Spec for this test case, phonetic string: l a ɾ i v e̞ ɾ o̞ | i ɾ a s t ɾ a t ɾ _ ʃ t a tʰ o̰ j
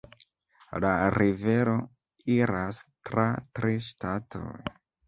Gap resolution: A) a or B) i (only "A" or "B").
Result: B